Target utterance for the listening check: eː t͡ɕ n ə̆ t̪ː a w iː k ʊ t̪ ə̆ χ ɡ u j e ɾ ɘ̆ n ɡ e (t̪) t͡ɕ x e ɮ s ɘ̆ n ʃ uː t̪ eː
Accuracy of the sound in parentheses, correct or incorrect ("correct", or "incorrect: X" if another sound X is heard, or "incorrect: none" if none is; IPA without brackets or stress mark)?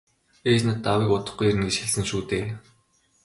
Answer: incorrect: none